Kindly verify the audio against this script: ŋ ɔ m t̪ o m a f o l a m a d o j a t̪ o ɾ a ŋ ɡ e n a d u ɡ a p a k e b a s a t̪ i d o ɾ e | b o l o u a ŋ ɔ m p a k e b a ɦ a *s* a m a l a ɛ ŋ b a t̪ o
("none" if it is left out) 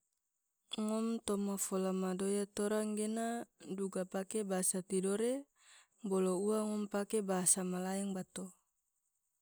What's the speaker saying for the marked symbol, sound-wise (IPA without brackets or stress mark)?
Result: s